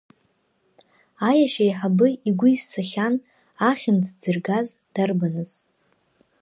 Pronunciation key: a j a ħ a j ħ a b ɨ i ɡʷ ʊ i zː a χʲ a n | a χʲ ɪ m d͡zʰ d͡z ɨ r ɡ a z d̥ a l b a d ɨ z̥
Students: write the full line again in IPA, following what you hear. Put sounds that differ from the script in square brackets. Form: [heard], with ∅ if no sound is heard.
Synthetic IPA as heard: a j a [ʃ] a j ħ a b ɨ i ɡʷ ʊ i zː a χʲ a n | a χʲ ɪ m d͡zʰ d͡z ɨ r ɡ a z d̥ a [r] b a [n] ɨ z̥